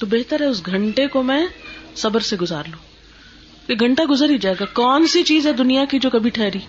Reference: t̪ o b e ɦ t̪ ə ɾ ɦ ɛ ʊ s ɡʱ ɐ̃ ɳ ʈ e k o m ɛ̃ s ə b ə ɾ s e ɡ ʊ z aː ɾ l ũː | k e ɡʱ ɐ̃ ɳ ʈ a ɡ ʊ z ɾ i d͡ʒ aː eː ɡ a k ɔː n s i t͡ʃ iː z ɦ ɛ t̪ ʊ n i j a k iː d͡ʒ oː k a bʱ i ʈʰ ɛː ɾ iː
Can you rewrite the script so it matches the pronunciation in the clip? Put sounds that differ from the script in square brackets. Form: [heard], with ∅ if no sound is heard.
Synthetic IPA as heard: t̪ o b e ɦ t̪ ə ɾ ɦ ɛ ʊ s ɡʱ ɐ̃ ɳ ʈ e k o m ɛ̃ s [ɐ] b ə ɾ s e ɡ ʊ z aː ɾ l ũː | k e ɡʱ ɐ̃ ɳ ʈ a ɡ ʊ z ɾ i d͡ʒ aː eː ɡ a k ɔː n s i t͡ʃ iː z ɦ ɛ [d̪] ʊ n i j a k [i] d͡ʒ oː k [ɐ] bʱ i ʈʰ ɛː ɾ iː